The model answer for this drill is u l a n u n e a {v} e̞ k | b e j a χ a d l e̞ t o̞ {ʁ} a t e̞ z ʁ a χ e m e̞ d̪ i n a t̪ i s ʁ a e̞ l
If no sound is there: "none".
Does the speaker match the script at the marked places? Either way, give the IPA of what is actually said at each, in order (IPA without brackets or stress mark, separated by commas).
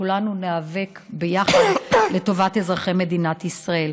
v, v